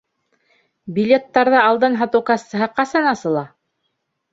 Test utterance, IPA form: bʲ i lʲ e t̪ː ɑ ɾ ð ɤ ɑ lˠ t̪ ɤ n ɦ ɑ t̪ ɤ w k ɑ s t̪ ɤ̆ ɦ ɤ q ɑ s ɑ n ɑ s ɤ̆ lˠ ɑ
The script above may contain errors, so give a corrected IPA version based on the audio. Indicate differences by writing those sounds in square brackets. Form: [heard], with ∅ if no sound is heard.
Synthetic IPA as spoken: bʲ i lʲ e t̪ː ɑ ɾ ð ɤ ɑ lˠ [d̪] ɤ n ɦ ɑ t̪ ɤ w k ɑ s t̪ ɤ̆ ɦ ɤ q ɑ s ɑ n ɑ s ɤ̆ lˠ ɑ